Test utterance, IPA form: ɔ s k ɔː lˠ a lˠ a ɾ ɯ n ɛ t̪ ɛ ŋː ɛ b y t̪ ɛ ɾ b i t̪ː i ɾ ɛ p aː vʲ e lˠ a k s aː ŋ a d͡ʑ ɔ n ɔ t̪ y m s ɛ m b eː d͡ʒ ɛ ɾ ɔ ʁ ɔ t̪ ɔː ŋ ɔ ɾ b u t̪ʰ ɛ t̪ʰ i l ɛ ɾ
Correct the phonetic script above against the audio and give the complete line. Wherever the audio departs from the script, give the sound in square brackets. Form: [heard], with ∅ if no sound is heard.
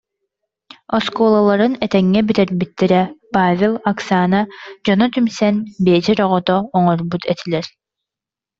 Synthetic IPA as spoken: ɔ s k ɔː lˠ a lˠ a ɾ ɯ n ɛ t̪ ɛ ŋː ɛ b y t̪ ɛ ɾ b i t̪ː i ɾ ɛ p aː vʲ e lˠ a k s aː [n] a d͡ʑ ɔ n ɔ t̪ y m s ɛ [n] b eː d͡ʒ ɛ ɾ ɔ ʁ ɔ t̪ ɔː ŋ ɔ ɾ b u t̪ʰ ɛ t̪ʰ i l ɛ ɾ

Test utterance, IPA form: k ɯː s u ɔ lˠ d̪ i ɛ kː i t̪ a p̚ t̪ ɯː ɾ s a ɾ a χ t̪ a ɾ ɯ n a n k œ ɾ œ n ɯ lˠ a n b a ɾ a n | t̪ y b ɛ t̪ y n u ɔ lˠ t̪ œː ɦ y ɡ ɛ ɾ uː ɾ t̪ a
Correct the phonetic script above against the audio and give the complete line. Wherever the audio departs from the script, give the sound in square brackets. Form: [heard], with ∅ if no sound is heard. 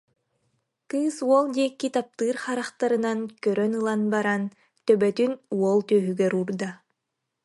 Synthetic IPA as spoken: k ɯː s u ɔ lˠ d̪ i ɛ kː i t̪ a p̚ t̪ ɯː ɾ [χ] a ɾ a χ t̪ a ɾ ɯ n a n k œ ɾ œ n ɯ lˠ a n b a ɾ a n | t̪ [œ] b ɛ t̪ y n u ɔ lˠ t̪ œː ɦ y ɡ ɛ ɾ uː ɾ [d̪] a

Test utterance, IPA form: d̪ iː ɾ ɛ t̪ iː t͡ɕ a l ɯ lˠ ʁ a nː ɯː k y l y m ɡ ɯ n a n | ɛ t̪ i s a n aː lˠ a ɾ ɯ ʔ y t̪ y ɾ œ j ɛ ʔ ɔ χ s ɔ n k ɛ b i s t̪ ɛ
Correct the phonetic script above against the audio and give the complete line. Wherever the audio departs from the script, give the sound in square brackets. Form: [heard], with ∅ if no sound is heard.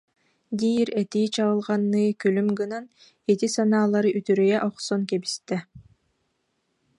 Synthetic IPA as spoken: d̪ iː ɾ ɛ t̪ iː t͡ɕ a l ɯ lˠ ʁ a nː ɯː k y l y m ɡ ɯ n a n | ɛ t̪ i s a n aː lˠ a ɾ ɯ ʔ y t̪ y ɾ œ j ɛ ʔ ɔ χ s ɔ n k ɛ b i s t̪ ɛ

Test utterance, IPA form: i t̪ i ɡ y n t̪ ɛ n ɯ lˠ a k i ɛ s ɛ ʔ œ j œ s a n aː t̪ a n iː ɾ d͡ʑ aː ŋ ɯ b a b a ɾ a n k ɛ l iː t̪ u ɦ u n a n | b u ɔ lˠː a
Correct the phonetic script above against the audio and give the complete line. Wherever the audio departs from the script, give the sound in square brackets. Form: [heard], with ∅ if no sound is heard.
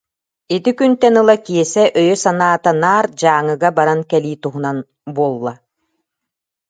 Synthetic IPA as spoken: i t̪ i [k] y n t̪ ɛ n ɯ lˠ a k i ɛ s ɛ ʔ œ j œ s a n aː t̪ a n [aː] ɾ d͡ʑ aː ŋ ɯ [ɡ] a b a ɾ a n k ɛ l iː t̪ u ɦ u n a n | b u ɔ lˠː a

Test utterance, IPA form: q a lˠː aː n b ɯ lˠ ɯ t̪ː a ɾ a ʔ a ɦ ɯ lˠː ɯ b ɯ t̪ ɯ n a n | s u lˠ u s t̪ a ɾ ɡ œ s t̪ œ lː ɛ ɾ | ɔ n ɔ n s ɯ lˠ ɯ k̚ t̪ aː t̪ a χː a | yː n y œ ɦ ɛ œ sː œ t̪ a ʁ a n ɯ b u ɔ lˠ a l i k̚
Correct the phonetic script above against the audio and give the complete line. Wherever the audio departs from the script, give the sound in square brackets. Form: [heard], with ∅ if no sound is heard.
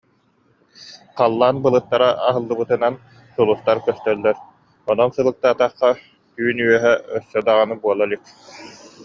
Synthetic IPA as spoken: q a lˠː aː n b ɯ lˠ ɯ t̪ː a ɾ a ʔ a ɦ ɯ lˠː ɯ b ɯ t̪ ɯ n a n | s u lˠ u s t̪ a ɾ [k] œ s t̪ œ lː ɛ ɾ | ɔ n ɔ n s ɯ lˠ ɯ k̚ t̪ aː t̪ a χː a | yː n y œ ɦ ɛ œ sː œ [d̪] a ʁ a n ɯ b u ɔ lˠ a l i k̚

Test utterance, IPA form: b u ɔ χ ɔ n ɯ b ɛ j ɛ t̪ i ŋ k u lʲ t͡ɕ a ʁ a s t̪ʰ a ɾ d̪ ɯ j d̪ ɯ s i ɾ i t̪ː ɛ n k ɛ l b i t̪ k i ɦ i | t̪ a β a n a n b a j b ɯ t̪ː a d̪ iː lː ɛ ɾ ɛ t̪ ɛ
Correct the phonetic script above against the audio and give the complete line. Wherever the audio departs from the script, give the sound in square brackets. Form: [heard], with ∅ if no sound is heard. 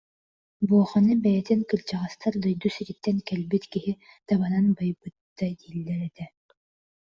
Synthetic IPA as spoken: b u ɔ χ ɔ n ɯ b ɛ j ɛ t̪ i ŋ k [ɯ] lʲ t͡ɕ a ʁ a s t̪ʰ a ɾ d̪ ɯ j d̪ [u] s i ɾ i t̪ː ɛ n k ɛ l b i t̪ k i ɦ i | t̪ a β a n a n b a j b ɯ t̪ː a d̪ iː lː ɛ ɾ ɛ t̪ ɛ

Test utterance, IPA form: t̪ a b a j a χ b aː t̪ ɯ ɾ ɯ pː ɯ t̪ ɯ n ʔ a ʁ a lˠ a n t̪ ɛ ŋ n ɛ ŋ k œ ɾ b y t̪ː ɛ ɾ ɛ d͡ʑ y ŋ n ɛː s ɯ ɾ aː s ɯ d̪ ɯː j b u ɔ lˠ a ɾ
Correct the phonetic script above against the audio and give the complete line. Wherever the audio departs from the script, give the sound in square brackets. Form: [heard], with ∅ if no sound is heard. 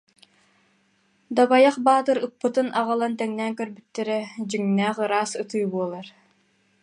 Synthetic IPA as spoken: [d̪] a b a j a χ b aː t̪ ɯ ɾ ɯ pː ɯ t̪ ɯ n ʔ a ʁ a lˠ a n t̪ ɛ ŋ n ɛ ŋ k œ ɾ b y t̪ː ɛ ɾ ɛ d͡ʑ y ŋ n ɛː [χ] ɯ ɾ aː s ɯ [t̪] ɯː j b u ɔ lˠ a ɾ

